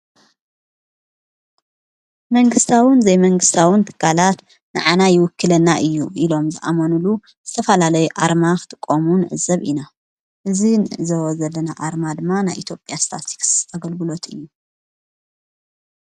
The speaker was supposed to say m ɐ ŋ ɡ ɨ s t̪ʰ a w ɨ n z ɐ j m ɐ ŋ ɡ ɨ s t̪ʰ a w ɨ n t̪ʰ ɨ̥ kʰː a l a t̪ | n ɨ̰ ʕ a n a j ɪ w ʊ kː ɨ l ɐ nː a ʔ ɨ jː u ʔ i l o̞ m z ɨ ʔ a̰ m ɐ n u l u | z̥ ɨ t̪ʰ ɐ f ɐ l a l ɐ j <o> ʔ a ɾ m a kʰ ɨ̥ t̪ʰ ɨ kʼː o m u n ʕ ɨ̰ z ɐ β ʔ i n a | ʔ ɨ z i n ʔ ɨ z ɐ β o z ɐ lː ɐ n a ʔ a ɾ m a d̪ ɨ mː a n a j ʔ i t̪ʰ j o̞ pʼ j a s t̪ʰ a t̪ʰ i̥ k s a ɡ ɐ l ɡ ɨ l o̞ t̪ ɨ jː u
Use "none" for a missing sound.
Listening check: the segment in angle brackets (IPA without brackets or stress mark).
u